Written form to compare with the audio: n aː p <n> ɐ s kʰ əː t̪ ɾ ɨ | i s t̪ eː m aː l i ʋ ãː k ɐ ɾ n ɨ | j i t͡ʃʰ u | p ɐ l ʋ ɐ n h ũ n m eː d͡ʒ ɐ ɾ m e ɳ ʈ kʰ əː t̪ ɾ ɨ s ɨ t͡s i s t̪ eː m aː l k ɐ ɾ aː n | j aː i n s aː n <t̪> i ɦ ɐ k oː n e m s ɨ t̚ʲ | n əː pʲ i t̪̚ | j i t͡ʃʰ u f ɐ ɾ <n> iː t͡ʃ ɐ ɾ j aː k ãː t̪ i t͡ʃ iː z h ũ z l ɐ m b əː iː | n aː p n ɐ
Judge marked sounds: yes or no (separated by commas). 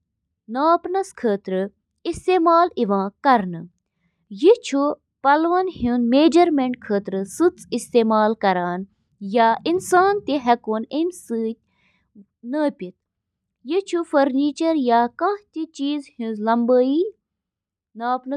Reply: yes, yes, yes